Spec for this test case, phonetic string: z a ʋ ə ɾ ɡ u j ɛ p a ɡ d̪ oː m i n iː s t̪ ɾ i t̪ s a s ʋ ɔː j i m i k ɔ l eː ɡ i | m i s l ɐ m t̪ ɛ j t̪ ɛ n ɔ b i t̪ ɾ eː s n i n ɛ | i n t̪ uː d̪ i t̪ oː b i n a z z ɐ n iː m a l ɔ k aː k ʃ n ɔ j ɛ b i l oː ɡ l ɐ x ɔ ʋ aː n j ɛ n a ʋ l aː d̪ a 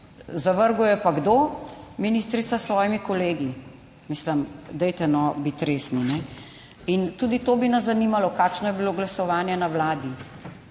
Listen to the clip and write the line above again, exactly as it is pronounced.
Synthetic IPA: z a ʋ ə ɾ ɡ u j ɛ p a ɡ d̪ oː m i n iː s t̪ ɾ i t̪ s a s ʋ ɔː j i m i k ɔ l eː ɡ i | m i s l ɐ m d̪ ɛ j t̪ ɛ n ɔ b i t̪ ɾ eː s n i n ɛ | i n t̪ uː d̪ i t̪ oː b i n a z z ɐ n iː m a l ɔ k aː k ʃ n ɔ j ɛ b i l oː ɡ l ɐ s ɔ ʋ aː n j ɛ n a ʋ l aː d̪ i